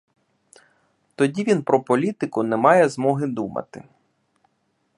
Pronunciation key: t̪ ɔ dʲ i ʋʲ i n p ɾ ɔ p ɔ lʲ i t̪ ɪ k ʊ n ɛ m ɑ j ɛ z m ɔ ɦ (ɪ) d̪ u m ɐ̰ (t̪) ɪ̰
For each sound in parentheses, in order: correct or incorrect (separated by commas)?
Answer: correct, correct